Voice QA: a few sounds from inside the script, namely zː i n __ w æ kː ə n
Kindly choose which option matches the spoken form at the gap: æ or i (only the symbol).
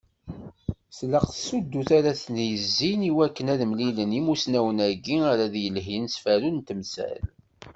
i